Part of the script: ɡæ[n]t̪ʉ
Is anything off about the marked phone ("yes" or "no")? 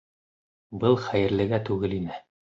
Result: yes